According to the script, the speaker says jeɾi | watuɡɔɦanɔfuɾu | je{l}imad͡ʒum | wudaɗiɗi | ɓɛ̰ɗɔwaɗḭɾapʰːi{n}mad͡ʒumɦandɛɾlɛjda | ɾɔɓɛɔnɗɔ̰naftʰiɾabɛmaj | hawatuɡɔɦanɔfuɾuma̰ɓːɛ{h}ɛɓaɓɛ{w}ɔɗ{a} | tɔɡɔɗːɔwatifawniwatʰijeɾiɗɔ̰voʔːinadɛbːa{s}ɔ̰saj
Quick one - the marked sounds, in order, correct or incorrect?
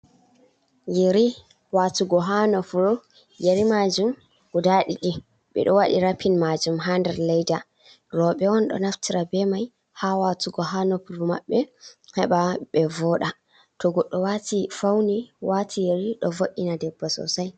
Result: incorrect, correct, correct, incorrect, correct, correct

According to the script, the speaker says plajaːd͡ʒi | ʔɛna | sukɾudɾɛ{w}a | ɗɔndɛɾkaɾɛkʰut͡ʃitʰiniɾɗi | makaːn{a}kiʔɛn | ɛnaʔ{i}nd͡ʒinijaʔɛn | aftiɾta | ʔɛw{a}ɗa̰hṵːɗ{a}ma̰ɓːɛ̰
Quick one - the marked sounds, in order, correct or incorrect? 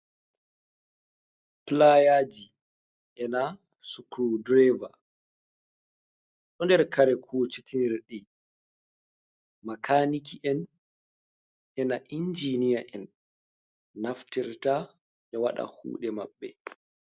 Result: incorrect, incorrect, correct, correct, incorrect

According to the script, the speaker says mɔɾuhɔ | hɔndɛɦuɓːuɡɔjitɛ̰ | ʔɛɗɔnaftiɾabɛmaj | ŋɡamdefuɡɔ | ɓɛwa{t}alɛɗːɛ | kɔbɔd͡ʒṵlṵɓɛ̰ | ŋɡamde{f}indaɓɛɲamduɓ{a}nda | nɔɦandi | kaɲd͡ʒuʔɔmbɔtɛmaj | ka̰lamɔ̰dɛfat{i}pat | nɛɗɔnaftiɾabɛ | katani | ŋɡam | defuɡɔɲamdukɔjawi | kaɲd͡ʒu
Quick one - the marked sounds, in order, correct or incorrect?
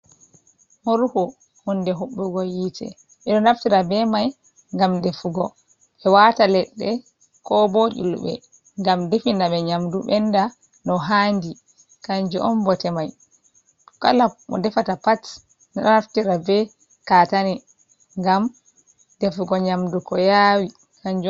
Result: correct, correct, incorrect, incorrect

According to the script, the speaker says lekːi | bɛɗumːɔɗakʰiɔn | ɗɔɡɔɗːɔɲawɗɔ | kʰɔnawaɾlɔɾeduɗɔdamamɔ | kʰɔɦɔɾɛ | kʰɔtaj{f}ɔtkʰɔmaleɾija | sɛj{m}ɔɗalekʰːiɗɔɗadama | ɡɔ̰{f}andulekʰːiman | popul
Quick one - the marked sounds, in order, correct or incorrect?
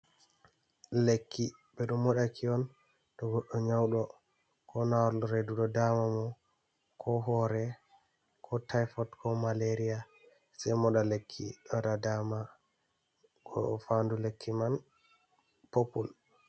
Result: correct, correct, correct

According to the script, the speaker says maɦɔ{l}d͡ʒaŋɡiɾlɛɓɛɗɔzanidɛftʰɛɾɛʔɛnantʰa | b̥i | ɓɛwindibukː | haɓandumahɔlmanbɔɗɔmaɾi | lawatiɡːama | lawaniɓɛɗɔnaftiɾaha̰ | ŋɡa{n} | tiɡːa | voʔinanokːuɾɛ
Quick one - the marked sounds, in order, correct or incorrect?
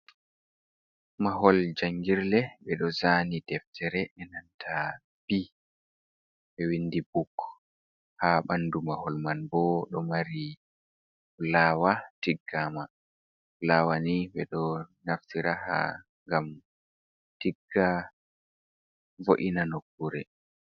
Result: correct, incorrect

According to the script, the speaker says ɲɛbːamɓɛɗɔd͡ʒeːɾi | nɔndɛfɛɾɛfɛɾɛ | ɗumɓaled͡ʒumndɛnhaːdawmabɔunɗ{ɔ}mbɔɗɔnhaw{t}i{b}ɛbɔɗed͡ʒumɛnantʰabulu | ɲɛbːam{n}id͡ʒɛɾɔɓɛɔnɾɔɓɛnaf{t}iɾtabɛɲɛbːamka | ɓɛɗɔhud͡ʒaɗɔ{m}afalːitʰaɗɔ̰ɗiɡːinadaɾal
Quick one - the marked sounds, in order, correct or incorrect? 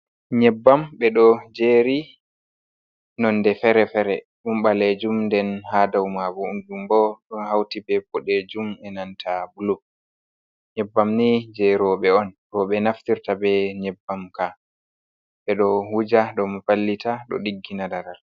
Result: incorrect, correct, correct, correct, correct, correct

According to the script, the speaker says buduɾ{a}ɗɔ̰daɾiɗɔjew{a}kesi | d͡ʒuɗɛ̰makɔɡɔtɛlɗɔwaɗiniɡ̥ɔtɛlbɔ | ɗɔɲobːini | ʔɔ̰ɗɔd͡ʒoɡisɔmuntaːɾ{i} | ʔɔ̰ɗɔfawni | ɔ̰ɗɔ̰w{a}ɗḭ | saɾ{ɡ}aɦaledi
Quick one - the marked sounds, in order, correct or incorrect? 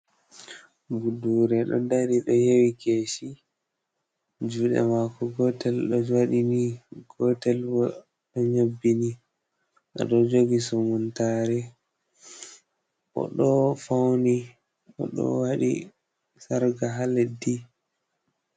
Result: incorrect, incorrect, incorrect, correct, correct

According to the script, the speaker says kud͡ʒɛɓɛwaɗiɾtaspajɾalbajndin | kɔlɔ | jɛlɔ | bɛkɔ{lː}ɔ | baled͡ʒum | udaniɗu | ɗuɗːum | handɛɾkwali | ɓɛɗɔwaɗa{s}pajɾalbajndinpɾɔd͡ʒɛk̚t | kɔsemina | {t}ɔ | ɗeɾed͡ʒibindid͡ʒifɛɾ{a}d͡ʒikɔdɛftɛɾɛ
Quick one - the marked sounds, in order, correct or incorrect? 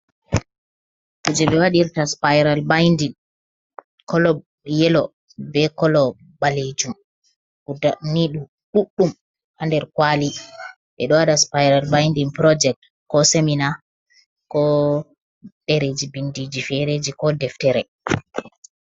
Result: incorrect, correct, incorrect, incorrect

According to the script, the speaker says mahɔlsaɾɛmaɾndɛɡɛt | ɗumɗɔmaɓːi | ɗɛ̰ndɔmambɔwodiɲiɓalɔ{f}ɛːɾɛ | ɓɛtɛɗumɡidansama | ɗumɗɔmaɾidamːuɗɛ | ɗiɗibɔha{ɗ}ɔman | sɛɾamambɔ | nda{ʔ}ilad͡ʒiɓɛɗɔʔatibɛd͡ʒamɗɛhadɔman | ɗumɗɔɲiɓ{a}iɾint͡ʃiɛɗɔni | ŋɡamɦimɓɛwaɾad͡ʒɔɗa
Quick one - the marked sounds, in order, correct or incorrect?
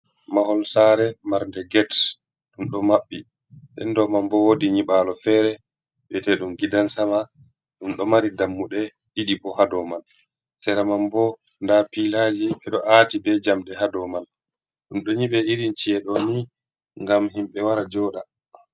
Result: correct, incorrect, incorrect, incorrect

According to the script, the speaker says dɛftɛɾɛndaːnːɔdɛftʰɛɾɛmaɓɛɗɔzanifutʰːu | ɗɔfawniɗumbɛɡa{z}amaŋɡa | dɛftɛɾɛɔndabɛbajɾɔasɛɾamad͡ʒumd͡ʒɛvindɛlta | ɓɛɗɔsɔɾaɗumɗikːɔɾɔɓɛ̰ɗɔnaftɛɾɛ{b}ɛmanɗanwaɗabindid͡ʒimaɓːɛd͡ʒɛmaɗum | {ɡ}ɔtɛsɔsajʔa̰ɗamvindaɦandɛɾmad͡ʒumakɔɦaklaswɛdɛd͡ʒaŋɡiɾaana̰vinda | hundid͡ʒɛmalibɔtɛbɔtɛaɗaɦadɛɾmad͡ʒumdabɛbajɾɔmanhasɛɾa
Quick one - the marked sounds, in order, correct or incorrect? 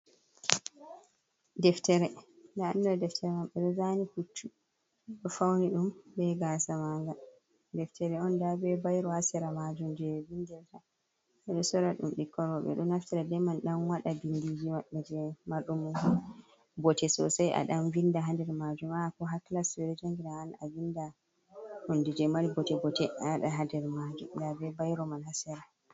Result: incorrect, incorrect, incorrect

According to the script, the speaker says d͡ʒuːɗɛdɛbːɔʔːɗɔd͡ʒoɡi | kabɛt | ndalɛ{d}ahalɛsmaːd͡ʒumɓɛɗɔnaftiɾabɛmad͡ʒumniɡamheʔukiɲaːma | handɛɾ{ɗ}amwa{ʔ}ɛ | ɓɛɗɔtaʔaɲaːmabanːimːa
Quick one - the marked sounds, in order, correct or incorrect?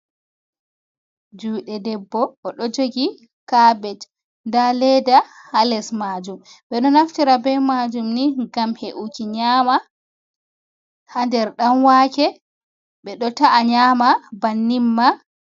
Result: correct, correct, incorrect

